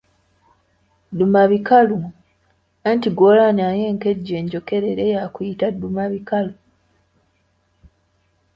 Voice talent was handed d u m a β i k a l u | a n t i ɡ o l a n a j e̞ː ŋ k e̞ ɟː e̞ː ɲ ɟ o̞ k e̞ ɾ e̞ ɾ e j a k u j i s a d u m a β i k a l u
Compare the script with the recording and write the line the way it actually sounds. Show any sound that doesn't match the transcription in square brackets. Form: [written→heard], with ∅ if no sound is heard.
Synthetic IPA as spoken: d u m a β i k a l u | a n t i ɡ o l a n a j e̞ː ŋ k e̞ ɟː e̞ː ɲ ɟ o̞ k e̞ ɾ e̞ ɾ e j a k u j i [s→t] a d u m a β i k a l u